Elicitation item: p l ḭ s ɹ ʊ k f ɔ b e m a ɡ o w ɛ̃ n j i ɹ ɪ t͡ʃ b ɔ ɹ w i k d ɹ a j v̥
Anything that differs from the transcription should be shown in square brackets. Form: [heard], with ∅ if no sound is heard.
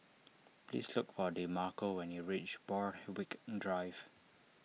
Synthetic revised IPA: p l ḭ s [l] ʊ k f ɔ [d] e m a [k] o w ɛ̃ n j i ɹ [i] t͡ʃ b ɔ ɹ w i k d ɹ a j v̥